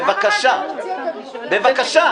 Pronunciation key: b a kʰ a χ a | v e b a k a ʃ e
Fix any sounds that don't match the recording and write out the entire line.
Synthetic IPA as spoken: v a k a ʃ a | b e v a k a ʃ a